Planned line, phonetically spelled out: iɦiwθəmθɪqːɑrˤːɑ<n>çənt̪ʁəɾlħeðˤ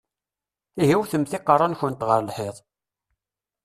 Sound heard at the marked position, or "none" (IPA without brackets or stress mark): n